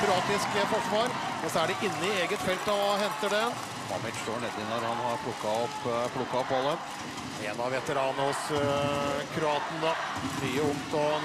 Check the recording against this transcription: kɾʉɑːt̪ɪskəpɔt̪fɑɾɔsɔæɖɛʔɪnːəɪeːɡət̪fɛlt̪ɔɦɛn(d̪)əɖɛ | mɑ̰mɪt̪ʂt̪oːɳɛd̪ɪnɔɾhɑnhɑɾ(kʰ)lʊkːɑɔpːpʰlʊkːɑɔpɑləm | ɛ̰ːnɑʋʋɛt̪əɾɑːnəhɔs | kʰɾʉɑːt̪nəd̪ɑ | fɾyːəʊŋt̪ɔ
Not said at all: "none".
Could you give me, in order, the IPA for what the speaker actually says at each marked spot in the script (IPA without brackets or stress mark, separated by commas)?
t̪, pʰ